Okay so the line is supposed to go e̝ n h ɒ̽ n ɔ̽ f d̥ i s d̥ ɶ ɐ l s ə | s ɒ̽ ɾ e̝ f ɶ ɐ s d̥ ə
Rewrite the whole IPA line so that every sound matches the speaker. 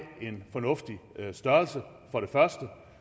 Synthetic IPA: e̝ n f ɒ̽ n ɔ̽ f d̥ i s d̥ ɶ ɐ l s ə | f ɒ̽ ɾ e̝ f ɶ ɐ s d̥ ə